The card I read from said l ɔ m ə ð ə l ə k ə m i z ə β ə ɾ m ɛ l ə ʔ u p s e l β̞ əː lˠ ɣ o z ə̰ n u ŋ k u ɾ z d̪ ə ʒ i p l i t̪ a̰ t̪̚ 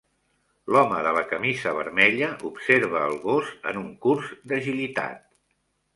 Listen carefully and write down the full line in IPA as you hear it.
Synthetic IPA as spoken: l ɔ m ə ð ə l ə k ə m i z ə β ə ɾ m ɛ ʎ ə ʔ u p s e ɾ β̞ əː lˠ ɣ o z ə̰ n u ŋ k u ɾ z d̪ ə ʒ i l i t̪ a̰ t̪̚